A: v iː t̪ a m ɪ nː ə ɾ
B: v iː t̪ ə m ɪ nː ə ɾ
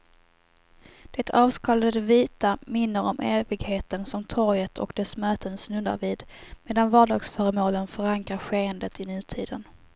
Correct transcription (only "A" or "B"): A